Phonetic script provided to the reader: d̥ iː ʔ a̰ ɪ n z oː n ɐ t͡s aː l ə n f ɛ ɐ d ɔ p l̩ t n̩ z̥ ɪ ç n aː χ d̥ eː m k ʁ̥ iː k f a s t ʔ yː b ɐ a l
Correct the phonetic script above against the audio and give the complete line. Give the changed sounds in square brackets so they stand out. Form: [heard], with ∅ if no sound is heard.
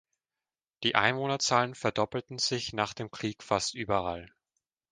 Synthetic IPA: d̥ iː ʔ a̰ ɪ n [v] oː n ɐ t͡s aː l ə n f ɛ ɐ d ɔ p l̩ t n̩ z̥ ɪ ç n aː χ d̥ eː m k ʁ̥ iː k f a s t ʔ yː b ɐ a l